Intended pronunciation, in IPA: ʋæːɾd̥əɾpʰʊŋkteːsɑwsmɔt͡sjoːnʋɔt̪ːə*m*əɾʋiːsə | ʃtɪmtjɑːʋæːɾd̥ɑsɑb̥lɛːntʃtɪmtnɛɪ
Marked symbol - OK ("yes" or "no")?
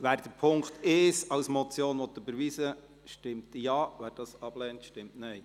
no